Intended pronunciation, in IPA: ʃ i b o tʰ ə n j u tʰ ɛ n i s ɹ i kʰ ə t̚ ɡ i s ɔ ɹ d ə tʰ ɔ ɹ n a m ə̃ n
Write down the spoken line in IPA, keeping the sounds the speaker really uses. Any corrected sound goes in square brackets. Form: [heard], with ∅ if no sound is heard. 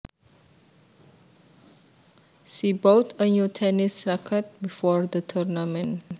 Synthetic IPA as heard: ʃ i b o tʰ ə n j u tʰ ɛ n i s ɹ [a] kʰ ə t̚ [b] i [f] ɔ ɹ d ə tʰ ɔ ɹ n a m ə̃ n